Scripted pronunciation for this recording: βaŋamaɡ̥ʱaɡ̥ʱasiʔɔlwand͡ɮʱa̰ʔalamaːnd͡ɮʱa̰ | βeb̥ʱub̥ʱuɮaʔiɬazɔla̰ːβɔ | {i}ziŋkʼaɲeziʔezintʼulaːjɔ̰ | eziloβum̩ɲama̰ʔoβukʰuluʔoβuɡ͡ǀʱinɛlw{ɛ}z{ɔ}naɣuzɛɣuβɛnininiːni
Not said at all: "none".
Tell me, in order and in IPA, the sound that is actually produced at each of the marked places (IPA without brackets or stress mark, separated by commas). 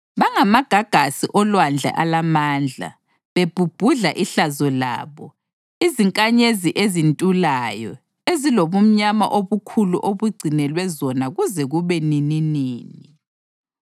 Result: i, ɛ, ɔ